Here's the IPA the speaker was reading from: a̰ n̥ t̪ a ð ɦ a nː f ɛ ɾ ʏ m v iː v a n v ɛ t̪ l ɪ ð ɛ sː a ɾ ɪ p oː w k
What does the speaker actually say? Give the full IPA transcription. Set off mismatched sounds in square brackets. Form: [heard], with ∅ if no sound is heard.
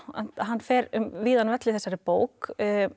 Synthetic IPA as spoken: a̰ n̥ t̪ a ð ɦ a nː f ɛ ɾ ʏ m v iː [ð] a n v ɛ t̪ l ɪ [θ] ɛ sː a ɾ ɪ p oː w k